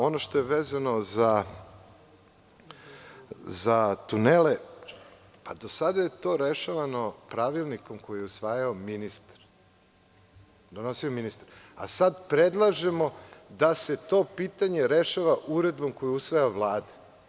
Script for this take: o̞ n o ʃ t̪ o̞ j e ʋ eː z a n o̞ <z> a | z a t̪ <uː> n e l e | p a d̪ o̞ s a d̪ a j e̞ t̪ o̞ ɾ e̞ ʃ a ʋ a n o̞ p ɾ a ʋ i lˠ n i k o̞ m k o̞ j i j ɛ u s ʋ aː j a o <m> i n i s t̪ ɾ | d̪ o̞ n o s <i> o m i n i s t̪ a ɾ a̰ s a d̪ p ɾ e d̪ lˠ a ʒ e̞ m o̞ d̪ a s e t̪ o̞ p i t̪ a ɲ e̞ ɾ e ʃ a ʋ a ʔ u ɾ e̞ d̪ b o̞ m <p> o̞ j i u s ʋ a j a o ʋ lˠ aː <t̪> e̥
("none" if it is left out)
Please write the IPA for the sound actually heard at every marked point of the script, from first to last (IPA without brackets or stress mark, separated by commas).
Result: z, u, m, i, k, d̪